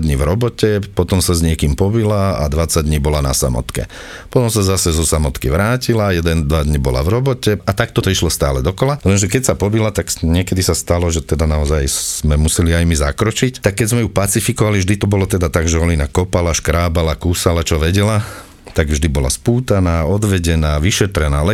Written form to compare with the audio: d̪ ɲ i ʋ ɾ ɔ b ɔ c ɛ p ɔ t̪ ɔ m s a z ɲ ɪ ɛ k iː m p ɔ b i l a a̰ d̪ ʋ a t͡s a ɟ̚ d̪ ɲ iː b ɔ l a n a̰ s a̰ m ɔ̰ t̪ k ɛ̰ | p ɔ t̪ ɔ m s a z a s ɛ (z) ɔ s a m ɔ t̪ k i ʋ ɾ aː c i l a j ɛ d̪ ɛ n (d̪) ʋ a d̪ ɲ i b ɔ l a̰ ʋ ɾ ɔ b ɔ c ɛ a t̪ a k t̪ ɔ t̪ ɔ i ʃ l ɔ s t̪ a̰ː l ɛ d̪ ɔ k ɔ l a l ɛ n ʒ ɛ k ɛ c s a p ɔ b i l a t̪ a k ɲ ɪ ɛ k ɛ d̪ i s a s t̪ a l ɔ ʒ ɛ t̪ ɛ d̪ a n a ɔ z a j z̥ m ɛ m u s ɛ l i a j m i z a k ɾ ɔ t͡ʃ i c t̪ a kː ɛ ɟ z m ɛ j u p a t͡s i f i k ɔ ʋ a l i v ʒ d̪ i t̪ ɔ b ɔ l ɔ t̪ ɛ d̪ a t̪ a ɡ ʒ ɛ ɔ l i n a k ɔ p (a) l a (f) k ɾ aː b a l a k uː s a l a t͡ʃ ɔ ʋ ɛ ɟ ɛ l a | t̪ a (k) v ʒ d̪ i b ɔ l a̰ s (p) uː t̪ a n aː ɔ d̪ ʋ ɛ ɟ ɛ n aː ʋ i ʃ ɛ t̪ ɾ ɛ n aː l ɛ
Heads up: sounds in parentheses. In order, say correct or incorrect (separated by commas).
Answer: correct, correct, correct, incorrect, incorrect, correct